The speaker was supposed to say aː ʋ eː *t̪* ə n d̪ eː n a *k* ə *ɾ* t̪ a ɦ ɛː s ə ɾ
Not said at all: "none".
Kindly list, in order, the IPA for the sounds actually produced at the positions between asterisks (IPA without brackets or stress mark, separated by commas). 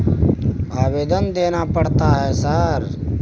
d̪, p, ɽ